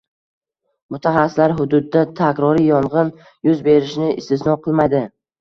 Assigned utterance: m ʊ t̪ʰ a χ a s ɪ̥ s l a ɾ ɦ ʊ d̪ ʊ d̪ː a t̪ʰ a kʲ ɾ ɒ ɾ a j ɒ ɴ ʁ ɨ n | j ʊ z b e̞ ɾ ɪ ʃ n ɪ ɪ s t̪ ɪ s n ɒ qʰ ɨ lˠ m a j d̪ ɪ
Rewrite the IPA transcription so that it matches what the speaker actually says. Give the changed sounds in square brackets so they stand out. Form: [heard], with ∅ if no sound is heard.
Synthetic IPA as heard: m ʊ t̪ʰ a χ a s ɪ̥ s l a ɾ ɦ ʊ d̪ ʊ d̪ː a t̪ʰ a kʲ ɾ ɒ ɾ [i] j ɒ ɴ ʁ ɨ n | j ʊ z b e̞ ɾ ɪ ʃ n ɪ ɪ s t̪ ɪ s n ɒ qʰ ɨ lˠ m a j d̪ ɪ